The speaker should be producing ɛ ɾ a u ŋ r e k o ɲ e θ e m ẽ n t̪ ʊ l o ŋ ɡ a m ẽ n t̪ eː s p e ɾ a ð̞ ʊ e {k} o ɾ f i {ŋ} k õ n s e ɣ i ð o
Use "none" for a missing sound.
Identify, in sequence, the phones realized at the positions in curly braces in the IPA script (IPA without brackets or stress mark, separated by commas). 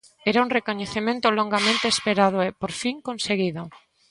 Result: p, ŋ